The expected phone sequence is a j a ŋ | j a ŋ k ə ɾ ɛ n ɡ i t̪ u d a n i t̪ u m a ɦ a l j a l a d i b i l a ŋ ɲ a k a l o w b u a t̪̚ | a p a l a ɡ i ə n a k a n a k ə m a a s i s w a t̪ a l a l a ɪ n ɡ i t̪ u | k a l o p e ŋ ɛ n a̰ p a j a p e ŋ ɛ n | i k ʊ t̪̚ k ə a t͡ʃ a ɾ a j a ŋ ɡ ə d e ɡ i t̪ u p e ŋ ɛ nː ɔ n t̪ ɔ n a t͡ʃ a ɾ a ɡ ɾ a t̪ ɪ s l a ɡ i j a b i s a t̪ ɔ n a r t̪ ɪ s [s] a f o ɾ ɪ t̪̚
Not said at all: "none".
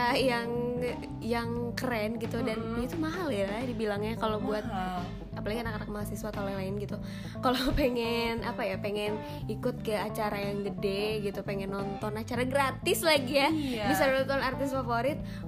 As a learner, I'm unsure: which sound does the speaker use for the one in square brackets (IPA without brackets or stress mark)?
f